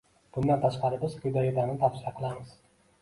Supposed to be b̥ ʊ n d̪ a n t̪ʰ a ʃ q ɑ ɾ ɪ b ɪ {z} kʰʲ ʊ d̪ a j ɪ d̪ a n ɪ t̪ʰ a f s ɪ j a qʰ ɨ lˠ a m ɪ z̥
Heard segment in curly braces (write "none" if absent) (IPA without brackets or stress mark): z